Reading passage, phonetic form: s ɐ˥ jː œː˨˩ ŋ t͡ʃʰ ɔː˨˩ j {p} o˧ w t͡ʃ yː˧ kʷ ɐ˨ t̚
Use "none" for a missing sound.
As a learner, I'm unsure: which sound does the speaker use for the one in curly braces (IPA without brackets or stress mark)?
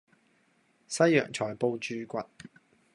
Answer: p